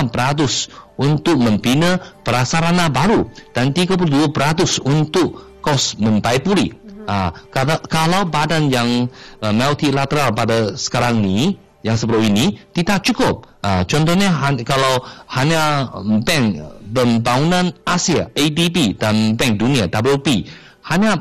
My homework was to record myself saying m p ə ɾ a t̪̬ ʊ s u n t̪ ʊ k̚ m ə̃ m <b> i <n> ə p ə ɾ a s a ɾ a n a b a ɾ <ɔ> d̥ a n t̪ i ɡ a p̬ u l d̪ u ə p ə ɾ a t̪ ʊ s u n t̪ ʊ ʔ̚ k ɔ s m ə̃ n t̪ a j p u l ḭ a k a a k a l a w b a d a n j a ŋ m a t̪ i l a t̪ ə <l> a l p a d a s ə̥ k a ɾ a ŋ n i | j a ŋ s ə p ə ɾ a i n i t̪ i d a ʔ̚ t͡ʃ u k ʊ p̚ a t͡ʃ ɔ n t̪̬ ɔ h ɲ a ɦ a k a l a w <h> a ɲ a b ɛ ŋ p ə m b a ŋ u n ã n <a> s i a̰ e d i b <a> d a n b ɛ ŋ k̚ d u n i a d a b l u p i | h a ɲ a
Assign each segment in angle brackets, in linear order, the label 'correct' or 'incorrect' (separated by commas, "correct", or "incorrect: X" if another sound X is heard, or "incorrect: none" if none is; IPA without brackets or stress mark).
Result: incorrect: p, correct, incorrect: u, incorrect: ɾ, correct, correct, incorrect: i